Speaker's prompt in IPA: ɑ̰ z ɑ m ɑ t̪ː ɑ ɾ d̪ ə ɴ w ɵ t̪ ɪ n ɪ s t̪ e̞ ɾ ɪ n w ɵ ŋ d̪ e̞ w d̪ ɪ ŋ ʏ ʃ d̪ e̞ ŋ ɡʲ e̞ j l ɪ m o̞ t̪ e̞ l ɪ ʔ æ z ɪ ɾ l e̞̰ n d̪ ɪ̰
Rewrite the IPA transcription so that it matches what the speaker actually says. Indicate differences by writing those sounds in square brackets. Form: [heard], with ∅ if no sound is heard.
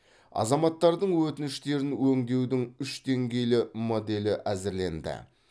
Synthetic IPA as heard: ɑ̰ z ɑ m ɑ t̪ː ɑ ɾ d̪ ə ɴ w ɵ t̪ ɪ n ɪ [ʃ] t̪ e̞ ɾ ɪ n w ɵ ŋ d̪ e̞ w d̪ ɪ ŋ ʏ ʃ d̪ e̞ ŋ ɡʲ e̞ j l ɪ m o̞ [d̪] e̞ l ɪ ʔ æ z ɪ ɾ l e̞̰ n d̪ ɪ̰